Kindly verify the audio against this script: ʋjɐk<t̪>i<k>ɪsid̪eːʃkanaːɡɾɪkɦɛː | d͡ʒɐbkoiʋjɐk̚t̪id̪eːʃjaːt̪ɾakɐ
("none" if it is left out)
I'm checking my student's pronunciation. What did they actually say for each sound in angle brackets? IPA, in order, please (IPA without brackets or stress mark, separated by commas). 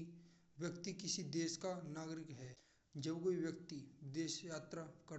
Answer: t̪, k